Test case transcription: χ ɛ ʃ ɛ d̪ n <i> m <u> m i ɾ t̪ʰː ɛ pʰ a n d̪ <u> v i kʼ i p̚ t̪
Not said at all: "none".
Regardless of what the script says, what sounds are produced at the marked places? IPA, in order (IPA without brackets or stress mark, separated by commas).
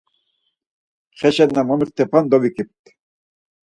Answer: a, ɔ, ɔ